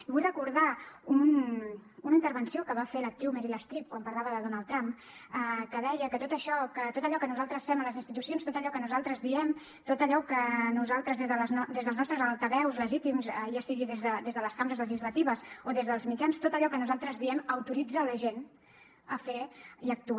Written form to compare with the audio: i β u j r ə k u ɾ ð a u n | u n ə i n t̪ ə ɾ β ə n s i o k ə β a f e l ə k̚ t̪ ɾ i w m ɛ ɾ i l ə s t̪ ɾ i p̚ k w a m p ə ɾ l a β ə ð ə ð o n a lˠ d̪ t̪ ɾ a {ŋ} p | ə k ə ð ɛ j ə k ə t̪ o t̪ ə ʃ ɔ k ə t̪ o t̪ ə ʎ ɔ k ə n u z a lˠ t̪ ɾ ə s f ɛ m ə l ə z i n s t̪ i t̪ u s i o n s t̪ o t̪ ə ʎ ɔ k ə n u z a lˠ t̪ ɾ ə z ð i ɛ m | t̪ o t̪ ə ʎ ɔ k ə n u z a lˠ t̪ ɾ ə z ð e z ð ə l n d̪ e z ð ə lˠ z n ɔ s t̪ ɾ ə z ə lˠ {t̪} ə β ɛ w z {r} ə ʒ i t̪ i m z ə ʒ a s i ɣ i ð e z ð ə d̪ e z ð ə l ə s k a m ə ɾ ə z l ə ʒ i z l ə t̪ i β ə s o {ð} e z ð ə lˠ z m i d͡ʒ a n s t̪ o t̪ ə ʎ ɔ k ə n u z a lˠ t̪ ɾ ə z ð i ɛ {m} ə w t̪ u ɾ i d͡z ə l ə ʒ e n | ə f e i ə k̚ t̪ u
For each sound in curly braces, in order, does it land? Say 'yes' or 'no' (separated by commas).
no, yes, no, yes, yes